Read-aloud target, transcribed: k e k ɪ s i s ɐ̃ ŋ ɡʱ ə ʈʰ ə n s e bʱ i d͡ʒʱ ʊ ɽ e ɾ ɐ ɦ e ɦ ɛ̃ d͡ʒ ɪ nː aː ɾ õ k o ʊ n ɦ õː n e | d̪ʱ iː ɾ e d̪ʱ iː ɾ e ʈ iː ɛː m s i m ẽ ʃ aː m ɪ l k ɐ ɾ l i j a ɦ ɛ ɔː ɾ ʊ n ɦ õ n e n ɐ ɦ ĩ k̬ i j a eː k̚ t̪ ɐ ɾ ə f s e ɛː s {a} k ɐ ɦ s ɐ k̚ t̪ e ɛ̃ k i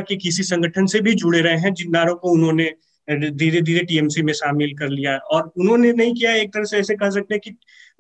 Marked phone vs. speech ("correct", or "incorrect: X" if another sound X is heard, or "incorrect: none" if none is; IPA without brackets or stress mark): incorrect: e